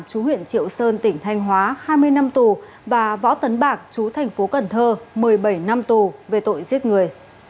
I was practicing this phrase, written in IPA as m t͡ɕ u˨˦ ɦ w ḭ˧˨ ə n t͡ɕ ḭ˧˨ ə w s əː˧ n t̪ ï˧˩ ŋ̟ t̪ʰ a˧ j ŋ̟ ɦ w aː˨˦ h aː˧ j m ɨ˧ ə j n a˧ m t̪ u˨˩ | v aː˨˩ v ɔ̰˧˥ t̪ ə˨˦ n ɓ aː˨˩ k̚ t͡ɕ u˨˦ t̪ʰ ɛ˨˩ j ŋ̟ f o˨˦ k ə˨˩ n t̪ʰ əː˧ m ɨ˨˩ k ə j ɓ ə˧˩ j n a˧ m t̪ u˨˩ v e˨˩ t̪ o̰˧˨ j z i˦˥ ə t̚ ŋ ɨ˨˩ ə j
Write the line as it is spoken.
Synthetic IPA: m t͡ɕ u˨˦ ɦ w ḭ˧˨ ə n t͡ɕ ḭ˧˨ ə w s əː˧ n t̪ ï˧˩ ŋ̟ t̪ʰ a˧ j ŋ̟ ɦ w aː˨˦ h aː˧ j m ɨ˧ ə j n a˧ m t̪ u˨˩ | v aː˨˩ v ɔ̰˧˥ t̪ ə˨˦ n ɓ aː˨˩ k̚ t͡ɕ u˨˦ t̪ʰ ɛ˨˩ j ŋ̟ f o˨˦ k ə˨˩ n t̪ʰ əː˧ m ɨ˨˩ ə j ɓ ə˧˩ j n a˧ m t̪ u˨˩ v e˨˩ t̪ o̰˧˨ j z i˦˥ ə t̚ ŋ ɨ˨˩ ə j